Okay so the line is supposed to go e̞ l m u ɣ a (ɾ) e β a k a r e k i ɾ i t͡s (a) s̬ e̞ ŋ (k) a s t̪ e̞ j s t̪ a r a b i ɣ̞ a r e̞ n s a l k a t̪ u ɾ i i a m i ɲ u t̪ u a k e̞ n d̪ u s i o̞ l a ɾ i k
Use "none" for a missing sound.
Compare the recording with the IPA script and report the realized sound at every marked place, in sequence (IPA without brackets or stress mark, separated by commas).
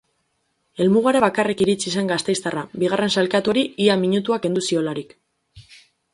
ɾ, i, ɡ